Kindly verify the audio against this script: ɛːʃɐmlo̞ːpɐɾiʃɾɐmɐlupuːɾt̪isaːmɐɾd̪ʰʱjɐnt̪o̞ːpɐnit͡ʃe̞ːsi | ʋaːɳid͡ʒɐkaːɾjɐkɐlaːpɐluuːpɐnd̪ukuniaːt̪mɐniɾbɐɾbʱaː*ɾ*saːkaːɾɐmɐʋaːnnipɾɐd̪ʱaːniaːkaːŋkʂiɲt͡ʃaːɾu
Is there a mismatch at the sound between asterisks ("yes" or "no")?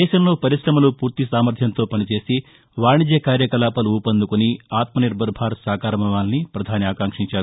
no